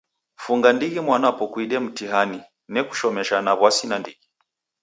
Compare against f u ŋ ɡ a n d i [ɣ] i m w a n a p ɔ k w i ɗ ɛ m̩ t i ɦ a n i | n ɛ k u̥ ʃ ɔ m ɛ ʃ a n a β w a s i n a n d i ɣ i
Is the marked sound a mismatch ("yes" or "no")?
no